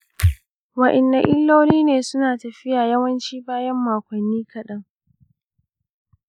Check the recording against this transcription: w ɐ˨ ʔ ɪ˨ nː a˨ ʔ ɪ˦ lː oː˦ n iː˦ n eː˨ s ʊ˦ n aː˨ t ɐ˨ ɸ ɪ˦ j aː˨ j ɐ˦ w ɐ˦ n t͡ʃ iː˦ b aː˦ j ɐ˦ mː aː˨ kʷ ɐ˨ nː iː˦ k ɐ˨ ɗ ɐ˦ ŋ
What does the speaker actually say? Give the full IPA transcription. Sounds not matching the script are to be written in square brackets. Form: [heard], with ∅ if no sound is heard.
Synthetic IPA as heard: w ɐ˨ ʔ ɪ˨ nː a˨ ʔ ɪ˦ lː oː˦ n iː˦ n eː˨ s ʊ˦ n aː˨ t ɐ˨ ɸ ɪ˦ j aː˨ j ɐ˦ w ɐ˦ n t͡ʃ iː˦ b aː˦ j ɐ˦ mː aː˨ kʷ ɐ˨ nː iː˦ k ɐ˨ ɗ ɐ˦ ŋ